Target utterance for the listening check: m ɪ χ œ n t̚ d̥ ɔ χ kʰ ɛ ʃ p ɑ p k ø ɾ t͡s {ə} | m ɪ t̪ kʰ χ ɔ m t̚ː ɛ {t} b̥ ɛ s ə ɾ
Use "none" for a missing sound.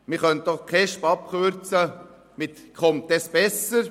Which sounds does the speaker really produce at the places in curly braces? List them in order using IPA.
ə, s

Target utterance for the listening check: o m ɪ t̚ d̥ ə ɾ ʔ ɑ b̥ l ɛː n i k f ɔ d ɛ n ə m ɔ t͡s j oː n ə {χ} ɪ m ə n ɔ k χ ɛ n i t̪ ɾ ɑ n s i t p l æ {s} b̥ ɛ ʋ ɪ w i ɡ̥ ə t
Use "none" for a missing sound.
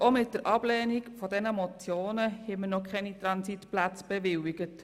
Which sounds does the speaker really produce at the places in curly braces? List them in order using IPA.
h, t͡s

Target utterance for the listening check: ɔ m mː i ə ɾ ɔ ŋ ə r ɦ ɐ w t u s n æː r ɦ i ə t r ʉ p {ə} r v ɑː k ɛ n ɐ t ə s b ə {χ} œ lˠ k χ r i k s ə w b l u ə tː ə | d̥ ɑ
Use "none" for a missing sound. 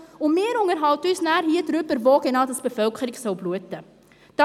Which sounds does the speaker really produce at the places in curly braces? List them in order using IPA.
ə, f

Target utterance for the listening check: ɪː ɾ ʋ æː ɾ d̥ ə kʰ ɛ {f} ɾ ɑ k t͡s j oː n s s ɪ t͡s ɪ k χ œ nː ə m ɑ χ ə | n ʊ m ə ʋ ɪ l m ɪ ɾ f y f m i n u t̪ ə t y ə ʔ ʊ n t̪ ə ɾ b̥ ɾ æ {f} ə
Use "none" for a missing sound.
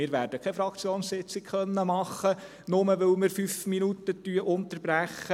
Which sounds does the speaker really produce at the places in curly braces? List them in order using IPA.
f, χ

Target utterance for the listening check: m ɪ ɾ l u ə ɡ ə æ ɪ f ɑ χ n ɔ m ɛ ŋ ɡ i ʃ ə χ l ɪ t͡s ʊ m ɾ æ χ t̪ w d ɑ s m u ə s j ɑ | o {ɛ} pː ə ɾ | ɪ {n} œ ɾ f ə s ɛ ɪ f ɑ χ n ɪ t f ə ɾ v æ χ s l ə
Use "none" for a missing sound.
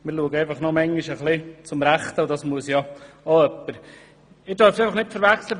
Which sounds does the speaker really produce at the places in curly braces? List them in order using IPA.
œ, d

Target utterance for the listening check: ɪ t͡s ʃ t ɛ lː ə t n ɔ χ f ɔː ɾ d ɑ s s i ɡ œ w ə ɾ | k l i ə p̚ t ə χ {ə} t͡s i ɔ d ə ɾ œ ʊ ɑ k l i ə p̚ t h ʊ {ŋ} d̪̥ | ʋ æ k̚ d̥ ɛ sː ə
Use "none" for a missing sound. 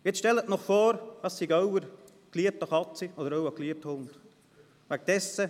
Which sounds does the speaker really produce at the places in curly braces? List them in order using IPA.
ɑ, n

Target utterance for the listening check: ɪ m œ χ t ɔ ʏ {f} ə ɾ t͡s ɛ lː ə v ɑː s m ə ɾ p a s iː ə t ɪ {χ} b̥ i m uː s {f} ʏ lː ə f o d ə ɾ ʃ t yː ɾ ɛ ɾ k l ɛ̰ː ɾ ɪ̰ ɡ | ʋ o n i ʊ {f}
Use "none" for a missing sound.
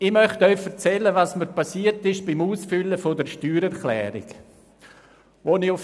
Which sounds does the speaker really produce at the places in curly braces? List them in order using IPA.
f, ʃ, f, f

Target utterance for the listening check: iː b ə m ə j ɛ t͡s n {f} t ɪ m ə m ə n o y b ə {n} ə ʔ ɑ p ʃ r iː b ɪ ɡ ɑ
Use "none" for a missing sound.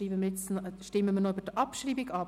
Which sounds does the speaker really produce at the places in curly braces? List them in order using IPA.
ʃ, d

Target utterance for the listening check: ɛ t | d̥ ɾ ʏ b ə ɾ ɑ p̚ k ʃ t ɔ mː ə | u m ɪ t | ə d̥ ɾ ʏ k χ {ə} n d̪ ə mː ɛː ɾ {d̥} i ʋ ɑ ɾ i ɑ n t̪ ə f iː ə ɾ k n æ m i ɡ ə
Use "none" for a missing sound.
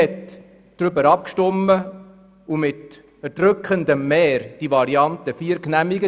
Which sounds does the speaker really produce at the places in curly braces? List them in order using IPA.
ə, d̥

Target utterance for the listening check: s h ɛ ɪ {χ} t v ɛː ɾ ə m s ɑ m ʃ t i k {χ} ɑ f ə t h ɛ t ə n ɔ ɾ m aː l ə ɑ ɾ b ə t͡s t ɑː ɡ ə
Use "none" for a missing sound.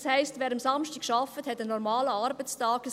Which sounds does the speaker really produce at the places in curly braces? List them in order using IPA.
s, ʃ

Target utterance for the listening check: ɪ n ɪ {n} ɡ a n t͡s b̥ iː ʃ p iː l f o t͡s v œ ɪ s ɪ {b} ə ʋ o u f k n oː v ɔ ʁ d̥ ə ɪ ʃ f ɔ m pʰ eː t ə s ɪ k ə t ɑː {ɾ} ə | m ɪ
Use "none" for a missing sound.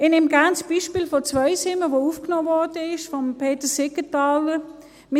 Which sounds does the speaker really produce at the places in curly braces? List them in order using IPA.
m, m, l

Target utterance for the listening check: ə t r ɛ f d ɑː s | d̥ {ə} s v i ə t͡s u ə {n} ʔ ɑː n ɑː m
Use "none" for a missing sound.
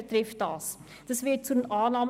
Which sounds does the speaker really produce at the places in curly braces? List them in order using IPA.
ə, n

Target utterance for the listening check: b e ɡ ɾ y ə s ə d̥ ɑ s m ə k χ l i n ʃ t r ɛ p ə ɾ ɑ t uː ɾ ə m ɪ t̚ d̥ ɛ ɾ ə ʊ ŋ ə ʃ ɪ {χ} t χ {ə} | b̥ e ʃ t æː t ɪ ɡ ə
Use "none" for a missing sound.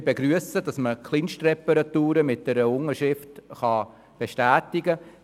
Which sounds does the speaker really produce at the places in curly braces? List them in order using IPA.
f, ɑ

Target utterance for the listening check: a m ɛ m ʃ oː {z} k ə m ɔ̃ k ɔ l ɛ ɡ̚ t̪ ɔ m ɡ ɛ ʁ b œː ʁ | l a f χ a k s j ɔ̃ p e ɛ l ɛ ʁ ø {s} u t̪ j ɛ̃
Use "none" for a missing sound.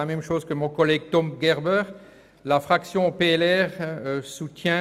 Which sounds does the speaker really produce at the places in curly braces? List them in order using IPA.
z, s

